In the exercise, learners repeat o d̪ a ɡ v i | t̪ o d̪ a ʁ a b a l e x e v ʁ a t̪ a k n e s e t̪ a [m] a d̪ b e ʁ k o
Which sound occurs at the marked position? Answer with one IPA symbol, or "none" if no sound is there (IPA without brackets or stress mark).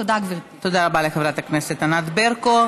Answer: n